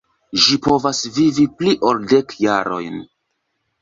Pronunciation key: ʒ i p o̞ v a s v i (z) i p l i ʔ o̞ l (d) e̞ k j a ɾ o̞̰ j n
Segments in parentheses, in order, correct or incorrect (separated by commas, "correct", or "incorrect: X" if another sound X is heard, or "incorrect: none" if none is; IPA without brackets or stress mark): incorrect: v, correct